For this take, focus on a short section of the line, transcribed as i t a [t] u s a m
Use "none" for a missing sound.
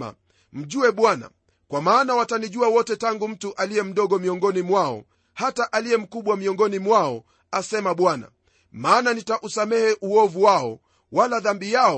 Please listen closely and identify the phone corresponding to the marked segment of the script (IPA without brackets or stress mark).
ʔ